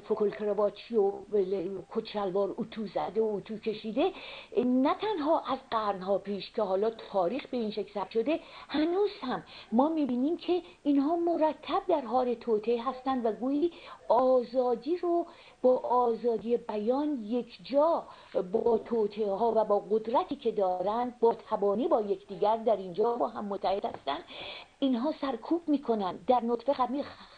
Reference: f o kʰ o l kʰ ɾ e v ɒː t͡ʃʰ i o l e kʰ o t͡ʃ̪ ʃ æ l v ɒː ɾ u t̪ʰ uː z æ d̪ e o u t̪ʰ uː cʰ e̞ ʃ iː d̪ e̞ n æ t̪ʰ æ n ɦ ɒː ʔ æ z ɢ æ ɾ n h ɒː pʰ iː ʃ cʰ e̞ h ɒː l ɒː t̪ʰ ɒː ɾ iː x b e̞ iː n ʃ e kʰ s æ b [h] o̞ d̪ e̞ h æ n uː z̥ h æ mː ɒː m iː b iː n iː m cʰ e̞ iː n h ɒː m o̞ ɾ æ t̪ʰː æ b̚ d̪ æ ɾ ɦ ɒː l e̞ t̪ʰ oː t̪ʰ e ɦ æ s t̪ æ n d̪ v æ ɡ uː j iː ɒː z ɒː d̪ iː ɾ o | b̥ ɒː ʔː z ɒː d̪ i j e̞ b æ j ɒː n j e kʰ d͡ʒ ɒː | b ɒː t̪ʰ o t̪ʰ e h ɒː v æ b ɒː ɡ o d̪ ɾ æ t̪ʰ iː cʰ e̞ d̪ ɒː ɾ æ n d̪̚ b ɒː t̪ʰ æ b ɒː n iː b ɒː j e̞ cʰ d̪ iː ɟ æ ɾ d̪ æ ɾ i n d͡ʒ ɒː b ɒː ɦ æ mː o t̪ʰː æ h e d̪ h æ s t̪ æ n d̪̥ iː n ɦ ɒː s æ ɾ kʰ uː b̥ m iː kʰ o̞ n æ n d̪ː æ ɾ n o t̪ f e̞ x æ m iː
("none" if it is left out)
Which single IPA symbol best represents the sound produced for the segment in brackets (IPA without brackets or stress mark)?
ʃ